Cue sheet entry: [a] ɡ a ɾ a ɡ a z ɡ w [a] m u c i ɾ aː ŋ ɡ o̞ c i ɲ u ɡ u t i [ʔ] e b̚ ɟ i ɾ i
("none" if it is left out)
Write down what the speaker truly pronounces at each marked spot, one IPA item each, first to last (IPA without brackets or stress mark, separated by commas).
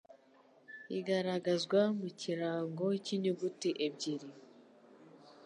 i, a, ʔ